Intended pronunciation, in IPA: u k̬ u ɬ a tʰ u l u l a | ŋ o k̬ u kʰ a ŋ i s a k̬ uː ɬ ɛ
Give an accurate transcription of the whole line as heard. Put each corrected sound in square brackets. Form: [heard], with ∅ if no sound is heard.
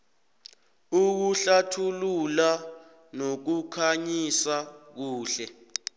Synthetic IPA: u k̬ u ɬ a tʰ u l u l a | [n] o k̬ u kʰ a [ɲ] i s a k̬ uː ɬ ɛ